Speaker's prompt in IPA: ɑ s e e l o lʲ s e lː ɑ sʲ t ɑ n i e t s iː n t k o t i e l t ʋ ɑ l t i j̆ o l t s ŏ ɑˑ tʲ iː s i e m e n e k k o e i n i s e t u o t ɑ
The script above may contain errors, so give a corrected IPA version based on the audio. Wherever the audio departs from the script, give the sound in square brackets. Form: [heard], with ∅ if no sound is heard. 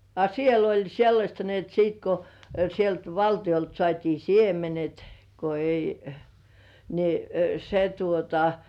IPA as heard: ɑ s [i] e l o lʲ s e lː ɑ sʲ t ɑ n i e t s iː [∅] t k o [s] i e l t ʋ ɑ l t i j̆ o l t s ŏ ɑˑ tʲ iː s i e m e n e [t] k o e i n i s e t u o t ɑ